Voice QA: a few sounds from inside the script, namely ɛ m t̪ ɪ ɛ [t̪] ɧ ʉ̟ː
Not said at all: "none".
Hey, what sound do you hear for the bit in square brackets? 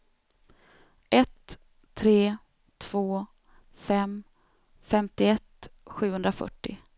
t̪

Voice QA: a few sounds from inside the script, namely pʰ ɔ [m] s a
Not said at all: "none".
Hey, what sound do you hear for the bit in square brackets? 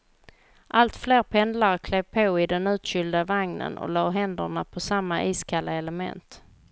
none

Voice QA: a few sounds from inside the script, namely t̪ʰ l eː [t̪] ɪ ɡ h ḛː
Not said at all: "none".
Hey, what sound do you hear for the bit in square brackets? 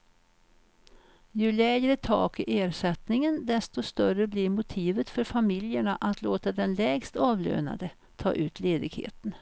d̪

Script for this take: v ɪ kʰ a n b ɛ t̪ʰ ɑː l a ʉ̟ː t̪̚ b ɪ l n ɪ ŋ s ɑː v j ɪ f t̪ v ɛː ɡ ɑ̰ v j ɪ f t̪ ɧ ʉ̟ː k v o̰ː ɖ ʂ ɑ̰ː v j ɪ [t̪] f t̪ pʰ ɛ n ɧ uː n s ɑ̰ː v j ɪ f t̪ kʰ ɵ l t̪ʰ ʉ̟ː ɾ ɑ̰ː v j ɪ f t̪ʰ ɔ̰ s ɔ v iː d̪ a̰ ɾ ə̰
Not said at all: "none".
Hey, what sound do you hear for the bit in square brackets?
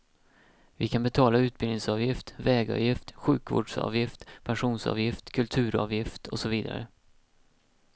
none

